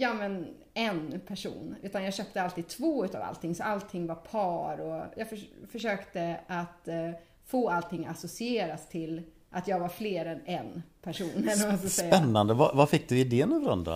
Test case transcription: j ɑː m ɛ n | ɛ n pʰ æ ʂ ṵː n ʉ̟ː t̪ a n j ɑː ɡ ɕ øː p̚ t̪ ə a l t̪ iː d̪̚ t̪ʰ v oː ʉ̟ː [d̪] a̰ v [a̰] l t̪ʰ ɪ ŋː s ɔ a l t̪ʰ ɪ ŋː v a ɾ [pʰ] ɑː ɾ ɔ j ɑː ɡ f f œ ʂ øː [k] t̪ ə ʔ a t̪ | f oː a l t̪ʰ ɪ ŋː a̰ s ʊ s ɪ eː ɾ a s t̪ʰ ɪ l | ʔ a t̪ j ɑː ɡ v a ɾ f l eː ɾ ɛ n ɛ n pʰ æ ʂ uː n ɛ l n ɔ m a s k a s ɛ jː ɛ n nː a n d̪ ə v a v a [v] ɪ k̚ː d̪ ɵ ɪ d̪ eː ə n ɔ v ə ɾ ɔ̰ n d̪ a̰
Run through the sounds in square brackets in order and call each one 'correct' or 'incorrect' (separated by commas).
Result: incorrect, correct, correct, correct, incorrect